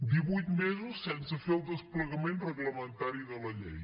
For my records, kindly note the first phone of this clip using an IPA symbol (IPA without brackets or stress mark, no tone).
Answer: d̪